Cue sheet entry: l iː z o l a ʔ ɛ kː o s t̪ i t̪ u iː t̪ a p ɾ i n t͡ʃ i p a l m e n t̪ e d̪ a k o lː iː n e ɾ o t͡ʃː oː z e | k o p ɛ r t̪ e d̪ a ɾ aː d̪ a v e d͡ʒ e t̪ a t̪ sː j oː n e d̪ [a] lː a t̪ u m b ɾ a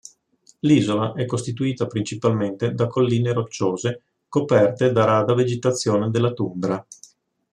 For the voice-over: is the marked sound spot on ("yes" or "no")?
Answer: no